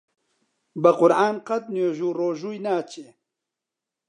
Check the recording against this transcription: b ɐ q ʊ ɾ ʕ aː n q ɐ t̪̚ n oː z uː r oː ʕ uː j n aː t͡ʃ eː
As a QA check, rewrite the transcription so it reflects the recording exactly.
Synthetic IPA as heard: b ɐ q ʊ ɾ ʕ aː n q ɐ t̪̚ n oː ʒ uː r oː ʒ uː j n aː t͡ʃ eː